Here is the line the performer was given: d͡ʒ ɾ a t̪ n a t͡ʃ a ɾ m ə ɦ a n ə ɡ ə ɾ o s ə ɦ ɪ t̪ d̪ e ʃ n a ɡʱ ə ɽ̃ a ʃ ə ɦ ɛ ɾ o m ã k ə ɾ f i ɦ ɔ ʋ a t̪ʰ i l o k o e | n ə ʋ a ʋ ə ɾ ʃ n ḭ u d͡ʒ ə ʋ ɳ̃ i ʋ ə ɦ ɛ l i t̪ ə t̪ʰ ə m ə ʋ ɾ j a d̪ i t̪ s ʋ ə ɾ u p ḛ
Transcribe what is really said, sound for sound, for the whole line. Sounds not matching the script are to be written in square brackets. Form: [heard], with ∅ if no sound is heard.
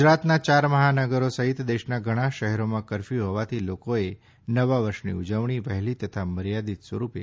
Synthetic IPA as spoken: d͡ʒ ɾ a t̪ n a t͡ʃ a ɾ m ə ɦ a n ə ɡ ə ɾ o s ə ɦ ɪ t̪ d̪ e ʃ n a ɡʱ ə ɽ̃ a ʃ ə ɦ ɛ ɾ o m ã k ə ɾ f i ɦ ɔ ʋ a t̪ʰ i l o k o e | n ə ʋ a ʋ ə ɾ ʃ n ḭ u d͡ʒ ə ʋ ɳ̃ i ʋ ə ɦ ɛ l i t̪ ə t̪ʰ [a] m ə [∅] ɾ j a d̪ i t̪ s ʋ ə ɾ u p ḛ